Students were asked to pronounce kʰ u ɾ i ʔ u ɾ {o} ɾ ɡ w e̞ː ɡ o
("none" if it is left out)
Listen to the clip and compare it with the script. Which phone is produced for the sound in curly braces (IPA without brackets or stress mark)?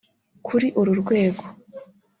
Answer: u